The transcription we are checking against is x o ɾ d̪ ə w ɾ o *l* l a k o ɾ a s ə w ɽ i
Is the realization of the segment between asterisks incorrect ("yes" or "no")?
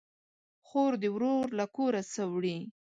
yes